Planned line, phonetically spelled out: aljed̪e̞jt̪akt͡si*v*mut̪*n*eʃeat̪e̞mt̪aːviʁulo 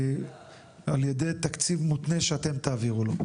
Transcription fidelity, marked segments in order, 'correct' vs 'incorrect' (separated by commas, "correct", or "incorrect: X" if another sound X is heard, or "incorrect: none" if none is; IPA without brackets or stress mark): correct, correct